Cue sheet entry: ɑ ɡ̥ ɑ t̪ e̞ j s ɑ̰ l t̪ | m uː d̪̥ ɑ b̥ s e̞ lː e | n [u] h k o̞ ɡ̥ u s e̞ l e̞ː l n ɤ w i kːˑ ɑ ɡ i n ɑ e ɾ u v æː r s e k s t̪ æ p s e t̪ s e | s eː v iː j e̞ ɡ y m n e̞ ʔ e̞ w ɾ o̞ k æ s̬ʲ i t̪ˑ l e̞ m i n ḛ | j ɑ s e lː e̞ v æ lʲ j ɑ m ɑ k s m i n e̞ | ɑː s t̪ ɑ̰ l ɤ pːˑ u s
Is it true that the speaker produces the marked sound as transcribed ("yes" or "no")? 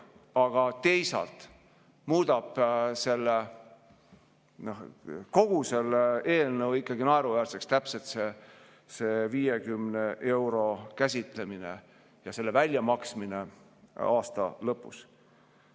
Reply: no